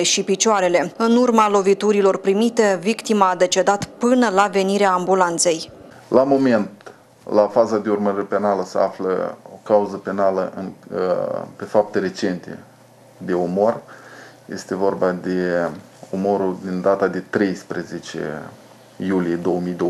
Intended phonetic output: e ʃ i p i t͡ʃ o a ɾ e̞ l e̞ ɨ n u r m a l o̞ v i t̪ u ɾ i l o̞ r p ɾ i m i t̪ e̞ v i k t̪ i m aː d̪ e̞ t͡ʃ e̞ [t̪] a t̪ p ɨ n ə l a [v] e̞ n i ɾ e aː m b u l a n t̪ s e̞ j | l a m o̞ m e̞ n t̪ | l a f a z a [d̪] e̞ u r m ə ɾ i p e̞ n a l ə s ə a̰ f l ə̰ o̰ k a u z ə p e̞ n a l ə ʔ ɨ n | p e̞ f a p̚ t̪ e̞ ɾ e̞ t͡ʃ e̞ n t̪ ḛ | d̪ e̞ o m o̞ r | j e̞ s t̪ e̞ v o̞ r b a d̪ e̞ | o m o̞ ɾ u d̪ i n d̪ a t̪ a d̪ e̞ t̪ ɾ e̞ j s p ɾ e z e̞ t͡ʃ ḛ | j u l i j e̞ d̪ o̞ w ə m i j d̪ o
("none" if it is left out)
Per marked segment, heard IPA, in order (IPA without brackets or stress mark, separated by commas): d̪, v, d̪